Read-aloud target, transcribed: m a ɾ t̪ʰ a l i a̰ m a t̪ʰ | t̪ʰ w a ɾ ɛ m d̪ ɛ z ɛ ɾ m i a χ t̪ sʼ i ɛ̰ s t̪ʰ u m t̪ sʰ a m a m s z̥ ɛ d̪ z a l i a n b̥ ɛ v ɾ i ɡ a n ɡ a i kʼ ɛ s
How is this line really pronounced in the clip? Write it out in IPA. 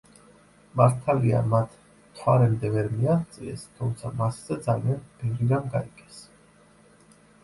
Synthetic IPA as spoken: m a ɾ t̪ʰ a l i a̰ m a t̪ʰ | t̪ʰ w a ɾ ɛ m d̪ ɛ v ɛ ɾ m i a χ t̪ sʼ i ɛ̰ s t̪ʰ u m t̪ sʰ a m a s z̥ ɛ d̪ z a l i a n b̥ ɛ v ɾ i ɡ a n ɡ a i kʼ ɛ s